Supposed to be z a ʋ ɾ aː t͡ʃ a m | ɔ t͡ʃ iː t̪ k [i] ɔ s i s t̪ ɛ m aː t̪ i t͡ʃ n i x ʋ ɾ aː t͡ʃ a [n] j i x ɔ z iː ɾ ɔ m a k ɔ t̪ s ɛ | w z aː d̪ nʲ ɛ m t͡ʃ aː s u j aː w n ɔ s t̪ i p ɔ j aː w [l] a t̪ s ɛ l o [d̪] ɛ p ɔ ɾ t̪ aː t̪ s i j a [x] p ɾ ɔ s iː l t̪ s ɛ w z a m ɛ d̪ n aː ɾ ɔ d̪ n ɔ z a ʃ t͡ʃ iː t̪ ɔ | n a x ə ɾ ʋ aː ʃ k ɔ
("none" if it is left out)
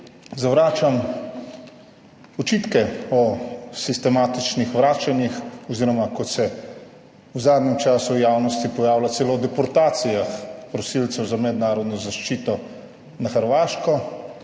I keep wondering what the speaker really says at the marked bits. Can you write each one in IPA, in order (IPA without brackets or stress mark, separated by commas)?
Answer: ɛ, n, l, d̪, x